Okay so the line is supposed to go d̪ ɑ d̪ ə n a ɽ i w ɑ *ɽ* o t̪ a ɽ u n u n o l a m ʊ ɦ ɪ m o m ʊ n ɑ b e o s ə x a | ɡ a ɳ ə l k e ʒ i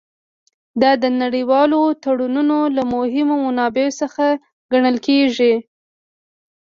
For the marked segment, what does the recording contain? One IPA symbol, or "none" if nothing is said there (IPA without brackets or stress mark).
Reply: l